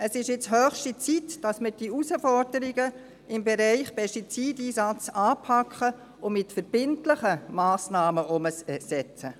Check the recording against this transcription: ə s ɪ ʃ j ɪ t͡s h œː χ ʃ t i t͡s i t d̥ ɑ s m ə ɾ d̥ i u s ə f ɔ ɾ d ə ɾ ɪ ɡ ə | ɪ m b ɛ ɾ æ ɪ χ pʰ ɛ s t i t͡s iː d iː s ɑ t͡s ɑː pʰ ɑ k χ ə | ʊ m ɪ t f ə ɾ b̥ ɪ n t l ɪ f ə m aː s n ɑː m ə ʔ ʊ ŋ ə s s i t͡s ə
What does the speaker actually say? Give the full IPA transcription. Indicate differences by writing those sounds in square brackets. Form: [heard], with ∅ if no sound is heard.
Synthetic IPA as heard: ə s ɪ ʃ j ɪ t͡s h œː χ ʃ t i t͡s i t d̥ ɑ s m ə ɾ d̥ i u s ə f ɔ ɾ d ə ɾ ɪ ɡ ə | ɪ m b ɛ ɾ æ ɪ χ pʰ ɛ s t i t͡s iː d iː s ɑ t͡s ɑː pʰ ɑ k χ ə | ʊ m ɪ t f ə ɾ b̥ ɪ n t l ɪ [χ] ə m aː s n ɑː m ə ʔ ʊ [m] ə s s [ɛ] t͡s ə

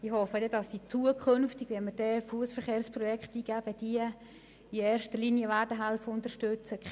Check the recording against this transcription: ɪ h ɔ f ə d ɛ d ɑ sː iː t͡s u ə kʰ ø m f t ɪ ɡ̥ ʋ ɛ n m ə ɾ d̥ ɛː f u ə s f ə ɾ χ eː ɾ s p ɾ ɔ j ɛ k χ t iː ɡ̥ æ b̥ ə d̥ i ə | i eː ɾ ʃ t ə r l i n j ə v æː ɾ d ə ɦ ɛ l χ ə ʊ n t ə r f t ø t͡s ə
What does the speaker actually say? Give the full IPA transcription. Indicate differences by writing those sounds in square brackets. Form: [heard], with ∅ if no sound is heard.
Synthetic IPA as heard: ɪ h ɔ f ə d ɛ d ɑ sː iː t͡s u ə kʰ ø [n] f t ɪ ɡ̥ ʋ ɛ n m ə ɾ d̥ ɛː f u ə s f ə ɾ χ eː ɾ s p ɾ ɔ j ɛ k χ t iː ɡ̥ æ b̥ ə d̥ i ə | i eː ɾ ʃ t ə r l i n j ə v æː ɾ d ə ɦ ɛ l [f] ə ʊ n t ə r [ʃ] t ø t͡s ə

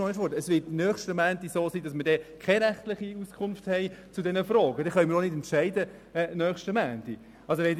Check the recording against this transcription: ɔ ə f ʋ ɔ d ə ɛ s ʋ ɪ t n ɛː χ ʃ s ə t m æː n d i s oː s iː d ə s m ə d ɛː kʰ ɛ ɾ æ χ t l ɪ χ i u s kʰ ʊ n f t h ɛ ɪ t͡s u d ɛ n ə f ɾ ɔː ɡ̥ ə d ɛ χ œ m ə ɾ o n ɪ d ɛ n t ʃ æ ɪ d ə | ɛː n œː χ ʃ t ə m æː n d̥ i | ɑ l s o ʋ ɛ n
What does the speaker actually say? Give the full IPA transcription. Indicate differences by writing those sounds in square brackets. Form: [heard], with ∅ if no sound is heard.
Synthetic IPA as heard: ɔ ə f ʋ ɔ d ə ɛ s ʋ ɪ t n [œː] χ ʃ [t] ə [∅] m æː n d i s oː s iː d [ɑ] s m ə d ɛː kʰ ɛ ɾ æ χ t l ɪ χ i u s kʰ ʊ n f t h ɛ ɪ t͡s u d ɛ n ə f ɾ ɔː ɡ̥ ə d ɛ χ œ m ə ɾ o n ɪ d ɛ n t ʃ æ ɪ d ə | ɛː n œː χ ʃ t ə m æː n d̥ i | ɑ l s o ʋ ɛ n

